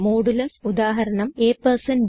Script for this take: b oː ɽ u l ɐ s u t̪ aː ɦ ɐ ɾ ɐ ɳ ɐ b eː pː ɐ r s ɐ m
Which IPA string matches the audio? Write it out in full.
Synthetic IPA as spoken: m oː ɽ u l ɐ s u d̪ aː ɦ ɐ ɾ ɐ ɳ ɐ m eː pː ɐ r s ɐ n